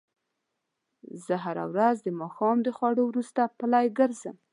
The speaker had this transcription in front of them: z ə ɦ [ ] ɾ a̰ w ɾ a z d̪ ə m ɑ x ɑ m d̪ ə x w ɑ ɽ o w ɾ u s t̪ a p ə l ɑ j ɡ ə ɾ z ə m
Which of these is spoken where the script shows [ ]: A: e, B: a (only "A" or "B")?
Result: B